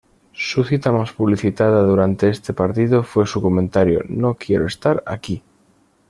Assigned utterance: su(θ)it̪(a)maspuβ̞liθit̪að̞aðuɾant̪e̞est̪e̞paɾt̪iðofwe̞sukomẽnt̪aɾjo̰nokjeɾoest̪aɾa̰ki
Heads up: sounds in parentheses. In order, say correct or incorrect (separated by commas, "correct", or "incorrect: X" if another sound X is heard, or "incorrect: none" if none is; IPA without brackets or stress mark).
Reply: correct, correct